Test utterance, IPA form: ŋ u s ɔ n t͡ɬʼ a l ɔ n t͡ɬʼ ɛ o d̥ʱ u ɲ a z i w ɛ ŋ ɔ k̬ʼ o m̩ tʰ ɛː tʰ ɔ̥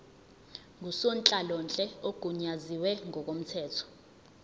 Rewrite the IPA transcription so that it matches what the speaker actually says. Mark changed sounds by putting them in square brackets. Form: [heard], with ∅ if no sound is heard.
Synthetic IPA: ŋ u s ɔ n t͡ɬʼ a l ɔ n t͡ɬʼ ɛ o [ɡ̥ʱ] u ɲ a z i w ɛ ŋ ɔ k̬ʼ o m̩ tʰ ɛː tʰ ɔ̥